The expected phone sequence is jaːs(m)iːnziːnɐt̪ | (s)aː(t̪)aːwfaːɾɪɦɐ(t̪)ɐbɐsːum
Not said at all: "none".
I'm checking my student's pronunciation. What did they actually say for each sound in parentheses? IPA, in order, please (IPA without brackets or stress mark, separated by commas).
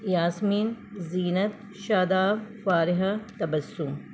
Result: m, ʃ, d̪, t̪